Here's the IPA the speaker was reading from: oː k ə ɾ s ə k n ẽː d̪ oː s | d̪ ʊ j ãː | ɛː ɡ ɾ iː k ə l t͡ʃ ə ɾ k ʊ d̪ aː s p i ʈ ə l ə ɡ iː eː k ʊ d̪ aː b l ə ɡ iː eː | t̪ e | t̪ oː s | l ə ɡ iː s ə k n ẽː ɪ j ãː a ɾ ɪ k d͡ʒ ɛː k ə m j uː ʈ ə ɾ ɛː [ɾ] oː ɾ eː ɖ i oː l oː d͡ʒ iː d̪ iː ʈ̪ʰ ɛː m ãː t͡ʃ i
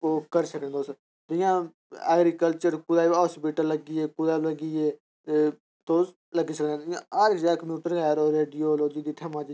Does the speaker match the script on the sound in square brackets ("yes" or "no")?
yes